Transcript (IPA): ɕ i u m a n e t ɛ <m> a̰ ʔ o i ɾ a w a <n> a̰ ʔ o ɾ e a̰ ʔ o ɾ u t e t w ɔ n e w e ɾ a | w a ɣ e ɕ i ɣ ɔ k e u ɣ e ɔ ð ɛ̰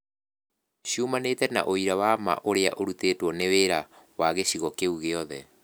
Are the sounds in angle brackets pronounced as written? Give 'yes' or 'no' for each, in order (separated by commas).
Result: no, no